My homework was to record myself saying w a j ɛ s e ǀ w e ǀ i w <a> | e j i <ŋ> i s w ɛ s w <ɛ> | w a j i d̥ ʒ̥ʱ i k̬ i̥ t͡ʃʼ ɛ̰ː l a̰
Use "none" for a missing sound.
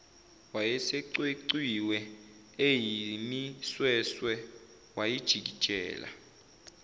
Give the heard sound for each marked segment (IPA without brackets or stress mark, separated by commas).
ɛ, m, ɛ